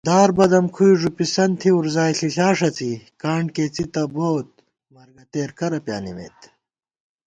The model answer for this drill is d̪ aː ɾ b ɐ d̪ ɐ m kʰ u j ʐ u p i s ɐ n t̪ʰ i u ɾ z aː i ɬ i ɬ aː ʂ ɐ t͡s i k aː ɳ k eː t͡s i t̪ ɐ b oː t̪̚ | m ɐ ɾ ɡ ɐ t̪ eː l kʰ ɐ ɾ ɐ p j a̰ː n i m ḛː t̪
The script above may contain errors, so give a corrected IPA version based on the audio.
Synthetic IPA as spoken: d̪ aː ɾ b ɐ d̪ ɐ m kʰ u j ʐ u p i s ɐ n t̪ʰ i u ɾ z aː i ɬ i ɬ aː ʂ ɐ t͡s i k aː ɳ k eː t͡s i t̪ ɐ b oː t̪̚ | m ɐ ɾ ɡ ɐ t̪ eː ɾ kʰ ɐ ɾ ɐ p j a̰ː n i m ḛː t̪